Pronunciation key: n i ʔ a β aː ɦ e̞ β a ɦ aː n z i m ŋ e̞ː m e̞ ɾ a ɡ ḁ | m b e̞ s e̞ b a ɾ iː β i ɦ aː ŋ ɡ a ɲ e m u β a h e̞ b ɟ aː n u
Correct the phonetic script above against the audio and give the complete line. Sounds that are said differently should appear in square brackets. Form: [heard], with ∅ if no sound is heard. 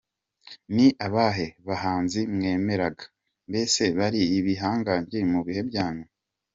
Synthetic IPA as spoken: n i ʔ a β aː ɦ e̞ β a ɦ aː n z i m ŋ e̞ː m e̞ ɾ a ɡ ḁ | m b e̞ s e̞ [β] a ɾ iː β i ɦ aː ŋ ɡ a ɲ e m u β [i] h e̞ b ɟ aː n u